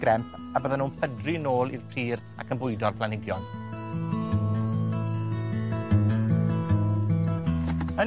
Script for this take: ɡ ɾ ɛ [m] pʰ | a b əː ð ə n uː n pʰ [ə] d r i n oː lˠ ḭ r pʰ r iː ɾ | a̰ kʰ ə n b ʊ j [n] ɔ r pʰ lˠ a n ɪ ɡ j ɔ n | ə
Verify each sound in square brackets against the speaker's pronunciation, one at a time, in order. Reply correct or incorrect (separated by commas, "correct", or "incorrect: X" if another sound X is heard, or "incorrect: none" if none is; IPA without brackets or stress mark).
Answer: correct, correct, incorrect: d